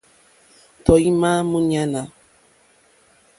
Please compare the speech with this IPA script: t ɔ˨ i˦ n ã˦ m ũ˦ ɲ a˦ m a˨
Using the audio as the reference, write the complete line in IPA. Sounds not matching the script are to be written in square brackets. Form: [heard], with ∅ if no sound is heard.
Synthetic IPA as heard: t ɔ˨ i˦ [m] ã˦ m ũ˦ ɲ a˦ [n] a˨